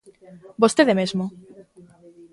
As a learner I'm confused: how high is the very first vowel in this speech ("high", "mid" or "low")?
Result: mid